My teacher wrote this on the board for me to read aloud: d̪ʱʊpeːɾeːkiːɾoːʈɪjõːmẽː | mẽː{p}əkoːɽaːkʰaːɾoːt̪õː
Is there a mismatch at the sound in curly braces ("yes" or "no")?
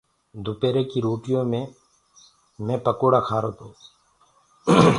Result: no